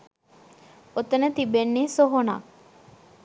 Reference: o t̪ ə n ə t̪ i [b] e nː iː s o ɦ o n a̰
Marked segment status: correct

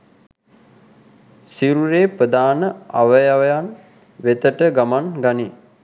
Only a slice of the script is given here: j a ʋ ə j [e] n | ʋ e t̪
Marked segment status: incorrect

